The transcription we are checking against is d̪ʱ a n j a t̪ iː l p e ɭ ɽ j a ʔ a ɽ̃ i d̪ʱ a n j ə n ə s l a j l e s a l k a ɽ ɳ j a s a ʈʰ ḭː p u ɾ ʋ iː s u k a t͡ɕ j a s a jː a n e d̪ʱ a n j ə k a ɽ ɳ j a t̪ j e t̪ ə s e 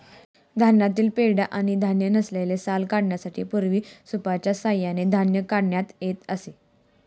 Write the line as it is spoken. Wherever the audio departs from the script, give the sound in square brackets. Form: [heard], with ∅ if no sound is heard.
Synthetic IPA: d̪ʱ a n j a t̪ iː l p e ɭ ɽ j a ʔ a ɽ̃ i d̪ʱ a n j ə n ə s l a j l e s a l k a ɽ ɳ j a s a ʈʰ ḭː p u ɾ ʋ iː s u [p] a t͡ɕ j a s a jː a n e d̪ʱ a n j ə k a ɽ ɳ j a t̪ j e t̪ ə s e